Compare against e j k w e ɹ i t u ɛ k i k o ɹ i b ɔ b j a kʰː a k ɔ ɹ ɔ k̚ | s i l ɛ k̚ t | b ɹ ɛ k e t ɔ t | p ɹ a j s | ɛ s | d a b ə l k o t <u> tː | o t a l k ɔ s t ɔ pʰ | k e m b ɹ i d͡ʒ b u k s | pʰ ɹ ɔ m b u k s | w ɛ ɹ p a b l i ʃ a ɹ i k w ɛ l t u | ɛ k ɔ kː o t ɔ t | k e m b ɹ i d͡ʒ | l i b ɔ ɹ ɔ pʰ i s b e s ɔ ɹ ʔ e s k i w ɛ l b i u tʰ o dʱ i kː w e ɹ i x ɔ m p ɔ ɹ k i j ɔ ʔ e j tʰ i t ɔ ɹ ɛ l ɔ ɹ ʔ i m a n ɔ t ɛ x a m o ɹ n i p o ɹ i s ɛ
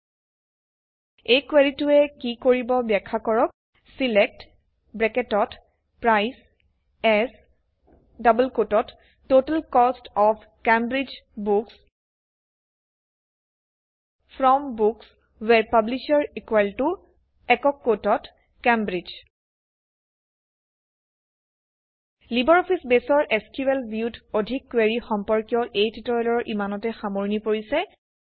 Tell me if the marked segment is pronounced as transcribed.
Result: no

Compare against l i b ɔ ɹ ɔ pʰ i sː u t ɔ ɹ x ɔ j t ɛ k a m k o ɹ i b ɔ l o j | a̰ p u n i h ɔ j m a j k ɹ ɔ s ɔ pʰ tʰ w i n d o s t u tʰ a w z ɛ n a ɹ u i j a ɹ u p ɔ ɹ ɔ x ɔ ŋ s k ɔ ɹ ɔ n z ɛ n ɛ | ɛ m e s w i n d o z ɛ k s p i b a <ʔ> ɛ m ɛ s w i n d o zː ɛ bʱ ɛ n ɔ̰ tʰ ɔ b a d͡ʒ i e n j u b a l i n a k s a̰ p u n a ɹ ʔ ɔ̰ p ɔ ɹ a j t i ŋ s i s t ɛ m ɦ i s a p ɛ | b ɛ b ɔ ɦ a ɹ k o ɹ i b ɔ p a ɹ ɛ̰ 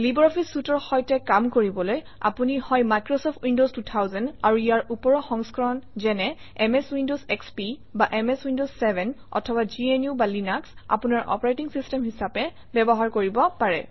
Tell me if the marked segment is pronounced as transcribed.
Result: yes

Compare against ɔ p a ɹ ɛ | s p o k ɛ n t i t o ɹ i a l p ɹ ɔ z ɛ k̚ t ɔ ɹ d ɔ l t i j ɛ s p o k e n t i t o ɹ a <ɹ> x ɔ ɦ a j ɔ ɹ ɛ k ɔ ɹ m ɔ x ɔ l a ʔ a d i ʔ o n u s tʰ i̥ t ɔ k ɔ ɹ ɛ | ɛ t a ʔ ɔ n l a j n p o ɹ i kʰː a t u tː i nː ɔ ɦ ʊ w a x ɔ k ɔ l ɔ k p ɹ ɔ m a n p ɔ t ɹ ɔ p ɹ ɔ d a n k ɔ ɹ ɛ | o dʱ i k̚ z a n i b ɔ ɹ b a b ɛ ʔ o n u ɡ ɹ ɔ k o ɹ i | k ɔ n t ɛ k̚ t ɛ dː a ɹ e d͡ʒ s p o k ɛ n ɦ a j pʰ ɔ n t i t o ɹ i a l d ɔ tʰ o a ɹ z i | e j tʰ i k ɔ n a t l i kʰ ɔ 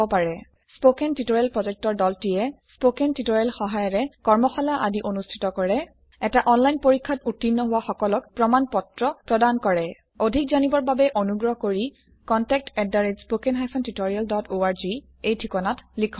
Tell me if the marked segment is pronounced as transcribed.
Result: no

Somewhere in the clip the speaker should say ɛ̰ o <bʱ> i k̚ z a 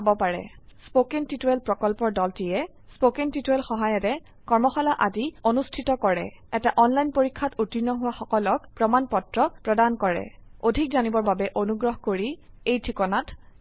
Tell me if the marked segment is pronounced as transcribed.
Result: no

